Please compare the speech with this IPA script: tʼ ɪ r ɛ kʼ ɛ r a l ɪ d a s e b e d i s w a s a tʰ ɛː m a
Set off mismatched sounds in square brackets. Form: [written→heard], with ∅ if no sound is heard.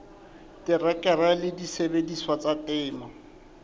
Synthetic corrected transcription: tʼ ɪ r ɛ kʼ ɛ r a l ɪ d [a→i] s e b e d i s w a [s→t͡s] a [tʰ→t] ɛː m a